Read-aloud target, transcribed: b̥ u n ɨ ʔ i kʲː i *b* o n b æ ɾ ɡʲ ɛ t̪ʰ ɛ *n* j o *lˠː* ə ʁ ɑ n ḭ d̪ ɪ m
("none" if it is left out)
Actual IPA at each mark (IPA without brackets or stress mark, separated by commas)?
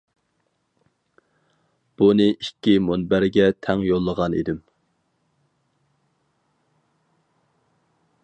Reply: m, ŋ, lˠː